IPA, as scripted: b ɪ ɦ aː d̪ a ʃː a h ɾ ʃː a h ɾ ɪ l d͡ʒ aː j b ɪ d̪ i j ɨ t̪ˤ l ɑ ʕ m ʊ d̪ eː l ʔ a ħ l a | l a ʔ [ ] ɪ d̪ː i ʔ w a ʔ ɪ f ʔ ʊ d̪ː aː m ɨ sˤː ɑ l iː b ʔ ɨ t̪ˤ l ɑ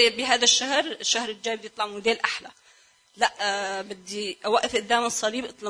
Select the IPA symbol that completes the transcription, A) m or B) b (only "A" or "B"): B